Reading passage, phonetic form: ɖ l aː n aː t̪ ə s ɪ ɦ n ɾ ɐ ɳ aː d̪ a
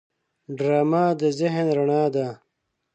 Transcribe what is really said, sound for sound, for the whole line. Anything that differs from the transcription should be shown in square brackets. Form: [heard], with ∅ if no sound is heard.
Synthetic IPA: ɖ [ɾ] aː [m] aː [d̪] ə [z] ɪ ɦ n ɾ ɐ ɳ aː d̪ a